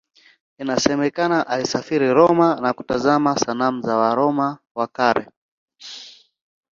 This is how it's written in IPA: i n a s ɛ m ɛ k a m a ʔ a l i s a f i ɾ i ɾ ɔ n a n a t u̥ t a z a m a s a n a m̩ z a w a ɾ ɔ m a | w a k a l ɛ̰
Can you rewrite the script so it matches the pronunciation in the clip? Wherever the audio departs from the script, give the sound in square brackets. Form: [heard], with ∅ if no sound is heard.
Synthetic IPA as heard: i n a s ɛ m ɛ k a [n] a ʔ a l i s a f i ɾ i ɾ ɔ [m] a n a [k] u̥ t a z a m a s a n a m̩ z a w a ɾ ɔ m a | w a k a [ɾ] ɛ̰